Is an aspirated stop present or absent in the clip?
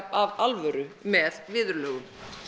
absent